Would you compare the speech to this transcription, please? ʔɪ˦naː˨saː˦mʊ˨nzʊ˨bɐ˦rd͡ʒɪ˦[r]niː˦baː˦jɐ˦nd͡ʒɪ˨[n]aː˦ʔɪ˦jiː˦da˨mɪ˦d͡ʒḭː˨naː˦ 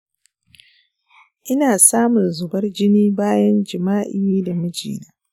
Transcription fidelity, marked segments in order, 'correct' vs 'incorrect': incorrect: none, incorrect: m

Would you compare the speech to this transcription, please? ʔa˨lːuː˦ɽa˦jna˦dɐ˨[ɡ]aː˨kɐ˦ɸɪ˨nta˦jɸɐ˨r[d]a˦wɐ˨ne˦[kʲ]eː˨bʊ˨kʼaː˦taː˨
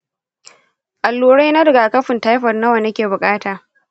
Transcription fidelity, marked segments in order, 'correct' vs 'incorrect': correct, incorrect: n, correct

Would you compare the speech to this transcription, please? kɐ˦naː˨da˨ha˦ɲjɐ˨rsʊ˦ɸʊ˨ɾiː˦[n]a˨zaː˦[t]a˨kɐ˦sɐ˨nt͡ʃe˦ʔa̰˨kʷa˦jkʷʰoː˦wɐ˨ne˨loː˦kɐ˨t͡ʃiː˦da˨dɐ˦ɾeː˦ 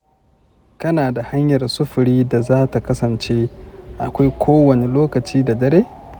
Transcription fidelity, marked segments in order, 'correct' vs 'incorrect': incorrect: d, correct

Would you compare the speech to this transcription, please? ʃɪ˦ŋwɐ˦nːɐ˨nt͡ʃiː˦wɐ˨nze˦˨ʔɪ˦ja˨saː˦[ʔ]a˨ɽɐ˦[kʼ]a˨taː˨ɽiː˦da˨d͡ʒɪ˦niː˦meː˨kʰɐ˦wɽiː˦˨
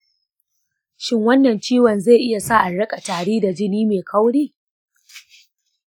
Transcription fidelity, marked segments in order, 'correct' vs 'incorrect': correct, correct

